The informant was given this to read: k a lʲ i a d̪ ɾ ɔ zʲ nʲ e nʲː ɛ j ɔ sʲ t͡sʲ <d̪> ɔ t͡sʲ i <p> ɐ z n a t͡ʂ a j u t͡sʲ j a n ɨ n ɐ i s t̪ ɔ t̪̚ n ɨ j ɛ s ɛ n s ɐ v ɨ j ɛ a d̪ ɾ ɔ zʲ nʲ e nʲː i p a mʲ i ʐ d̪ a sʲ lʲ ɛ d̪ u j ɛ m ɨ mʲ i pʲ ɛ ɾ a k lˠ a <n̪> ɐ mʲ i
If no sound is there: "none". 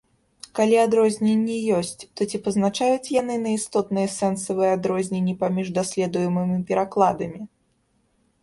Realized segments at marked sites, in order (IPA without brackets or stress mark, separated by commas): t̪, p, d̪